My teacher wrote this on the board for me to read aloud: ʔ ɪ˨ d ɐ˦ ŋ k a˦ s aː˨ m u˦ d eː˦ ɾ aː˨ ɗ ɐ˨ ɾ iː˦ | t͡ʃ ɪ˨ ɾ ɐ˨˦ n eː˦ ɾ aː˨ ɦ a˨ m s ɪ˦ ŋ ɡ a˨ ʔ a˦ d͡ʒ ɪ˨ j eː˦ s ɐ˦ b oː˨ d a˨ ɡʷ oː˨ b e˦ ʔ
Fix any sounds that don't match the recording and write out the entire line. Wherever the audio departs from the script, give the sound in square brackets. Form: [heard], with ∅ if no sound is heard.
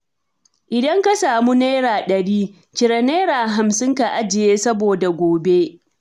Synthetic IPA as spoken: ʔ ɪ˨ d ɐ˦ ŋ k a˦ s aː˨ m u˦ [n] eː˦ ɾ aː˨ ɗ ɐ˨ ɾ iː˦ | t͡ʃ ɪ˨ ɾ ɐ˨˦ n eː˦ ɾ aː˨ ɦ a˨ m s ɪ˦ ŋ [k] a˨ ʔ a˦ d͡ʒ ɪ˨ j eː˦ s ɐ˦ b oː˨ d a˨ ɡʷ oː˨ b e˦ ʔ